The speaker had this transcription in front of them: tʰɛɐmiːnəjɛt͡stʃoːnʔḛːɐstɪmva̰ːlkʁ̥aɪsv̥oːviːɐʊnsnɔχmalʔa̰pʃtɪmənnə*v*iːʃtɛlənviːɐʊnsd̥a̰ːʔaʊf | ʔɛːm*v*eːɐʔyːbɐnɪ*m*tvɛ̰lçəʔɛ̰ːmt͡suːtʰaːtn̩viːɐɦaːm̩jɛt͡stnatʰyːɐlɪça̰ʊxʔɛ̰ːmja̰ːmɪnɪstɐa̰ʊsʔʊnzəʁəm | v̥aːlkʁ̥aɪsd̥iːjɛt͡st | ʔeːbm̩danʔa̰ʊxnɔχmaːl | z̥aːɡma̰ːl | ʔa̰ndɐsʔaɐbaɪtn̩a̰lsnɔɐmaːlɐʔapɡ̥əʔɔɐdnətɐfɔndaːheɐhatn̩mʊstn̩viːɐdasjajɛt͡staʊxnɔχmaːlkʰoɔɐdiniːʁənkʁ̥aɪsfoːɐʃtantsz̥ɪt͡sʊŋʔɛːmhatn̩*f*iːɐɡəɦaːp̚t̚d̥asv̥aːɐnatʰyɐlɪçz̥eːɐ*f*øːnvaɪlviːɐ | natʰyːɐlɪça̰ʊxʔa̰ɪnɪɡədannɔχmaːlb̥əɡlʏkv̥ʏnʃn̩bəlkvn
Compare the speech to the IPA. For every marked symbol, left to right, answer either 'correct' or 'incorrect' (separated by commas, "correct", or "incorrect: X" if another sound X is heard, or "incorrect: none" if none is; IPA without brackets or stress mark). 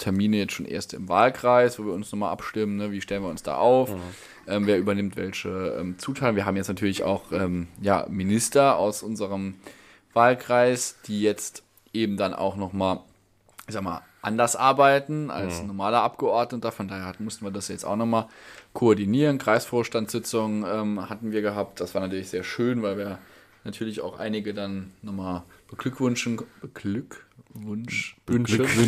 correct, correct, correct, incorrect: v, incorrect: ʃ